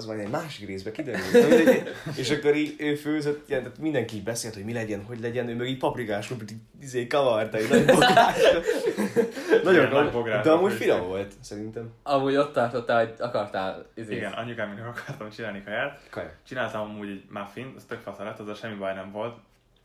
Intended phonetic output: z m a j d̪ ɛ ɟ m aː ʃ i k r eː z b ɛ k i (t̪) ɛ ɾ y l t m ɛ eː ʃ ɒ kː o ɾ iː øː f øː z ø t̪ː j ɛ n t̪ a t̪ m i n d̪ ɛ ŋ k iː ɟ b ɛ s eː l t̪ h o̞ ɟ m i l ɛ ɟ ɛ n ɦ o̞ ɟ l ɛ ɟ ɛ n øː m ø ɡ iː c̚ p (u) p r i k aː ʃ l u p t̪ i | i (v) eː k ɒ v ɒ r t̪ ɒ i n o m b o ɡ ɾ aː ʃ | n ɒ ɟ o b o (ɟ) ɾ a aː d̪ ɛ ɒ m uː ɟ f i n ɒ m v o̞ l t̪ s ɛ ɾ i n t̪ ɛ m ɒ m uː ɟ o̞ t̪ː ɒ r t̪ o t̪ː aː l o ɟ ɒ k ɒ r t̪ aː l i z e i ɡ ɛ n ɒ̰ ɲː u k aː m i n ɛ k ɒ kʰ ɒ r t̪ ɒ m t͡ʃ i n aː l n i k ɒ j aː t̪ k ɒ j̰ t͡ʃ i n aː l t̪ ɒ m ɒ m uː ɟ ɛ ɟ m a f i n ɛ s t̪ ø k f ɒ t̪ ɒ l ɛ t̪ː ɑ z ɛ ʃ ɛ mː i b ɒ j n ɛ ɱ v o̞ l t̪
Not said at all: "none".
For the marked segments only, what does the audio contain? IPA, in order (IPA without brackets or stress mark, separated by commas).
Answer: d̪, ɒ, z, ɡ